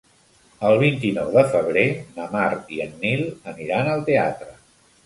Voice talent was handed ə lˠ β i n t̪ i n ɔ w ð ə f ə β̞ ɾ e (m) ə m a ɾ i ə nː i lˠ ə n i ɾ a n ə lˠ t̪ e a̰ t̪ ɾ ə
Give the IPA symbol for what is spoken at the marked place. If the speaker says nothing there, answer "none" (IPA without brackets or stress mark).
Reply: n